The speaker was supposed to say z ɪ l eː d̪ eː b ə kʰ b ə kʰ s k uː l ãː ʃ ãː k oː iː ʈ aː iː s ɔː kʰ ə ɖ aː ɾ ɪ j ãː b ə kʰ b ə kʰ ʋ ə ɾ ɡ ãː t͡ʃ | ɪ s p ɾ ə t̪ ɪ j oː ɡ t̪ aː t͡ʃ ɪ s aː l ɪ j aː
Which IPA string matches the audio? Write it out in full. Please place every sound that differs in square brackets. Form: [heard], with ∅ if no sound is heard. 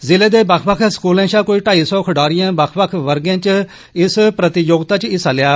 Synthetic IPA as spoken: z ɪ l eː d̪ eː b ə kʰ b ə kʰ s k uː l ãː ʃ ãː k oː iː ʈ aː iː s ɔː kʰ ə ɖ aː ɾ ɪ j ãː b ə kʰ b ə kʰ ʋ ə ɾ ɡ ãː t͡ʃ | ɪ s p ɾ ə t̪ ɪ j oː ɡ t̪ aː t͡ʃ ɪ s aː l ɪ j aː